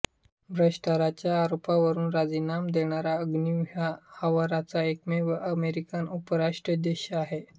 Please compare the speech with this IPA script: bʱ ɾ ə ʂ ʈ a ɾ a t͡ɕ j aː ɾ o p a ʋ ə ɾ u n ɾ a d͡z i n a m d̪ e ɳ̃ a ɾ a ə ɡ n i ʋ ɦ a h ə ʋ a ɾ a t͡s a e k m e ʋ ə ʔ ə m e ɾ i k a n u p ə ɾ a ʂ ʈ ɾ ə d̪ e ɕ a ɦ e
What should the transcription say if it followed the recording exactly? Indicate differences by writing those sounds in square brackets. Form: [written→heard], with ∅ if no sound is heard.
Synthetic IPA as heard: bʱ ɾ ə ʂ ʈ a ɾ a t͡ɕ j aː ɾ o p a ʋ ə ɾ [u→uː] n ɾ a d͡z i n a m d̪ e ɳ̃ a ɾ a ə ɡ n i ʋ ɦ a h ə ʋ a ɾ a t͡s a e k m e ʋ ə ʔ ə m e ɾ i k a n u p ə ɾ a ʂ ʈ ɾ ə d̪ e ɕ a ɦ e